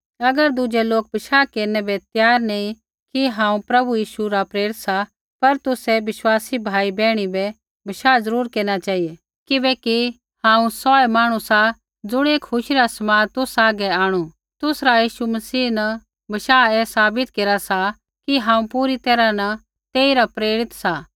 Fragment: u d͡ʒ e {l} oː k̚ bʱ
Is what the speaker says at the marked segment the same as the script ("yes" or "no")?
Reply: yes